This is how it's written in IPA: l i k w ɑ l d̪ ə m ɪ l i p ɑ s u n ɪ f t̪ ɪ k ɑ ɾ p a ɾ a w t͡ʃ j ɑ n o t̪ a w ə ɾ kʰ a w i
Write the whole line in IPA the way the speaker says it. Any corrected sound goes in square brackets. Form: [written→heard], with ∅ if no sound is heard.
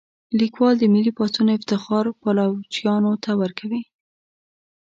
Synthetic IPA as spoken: l i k w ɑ l d̪ ə m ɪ l i p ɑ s u n ɪ f t̪ ɪ [k→x] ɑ ɾ p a [ɾ→l] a w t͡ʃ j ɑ n o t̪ a w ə ɾ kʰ a w i